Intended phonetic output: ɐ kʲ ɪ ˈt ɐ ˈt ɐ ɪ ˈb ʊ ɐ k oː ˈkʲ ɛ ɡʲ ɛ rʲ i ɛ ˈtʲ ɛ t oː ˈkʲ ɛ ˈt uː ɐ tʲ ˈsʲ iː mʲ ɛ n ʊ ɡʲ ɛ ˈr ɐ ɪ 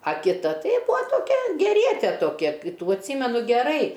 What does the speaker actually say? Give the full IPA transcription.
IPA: ɐ kʲ ɪ ˈt ɐ ˈt ɐ ɪ ˈb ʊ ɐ t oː ˈkʲ ɛ ɡʲ ɛ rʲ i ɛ ˈtʲ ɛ t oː ˈkʲ ɛ ˈt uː ɐ tʲ ˈsʲ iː mʲ ɛ n ʊ ɡʲ ɛ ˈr ɐ ɪ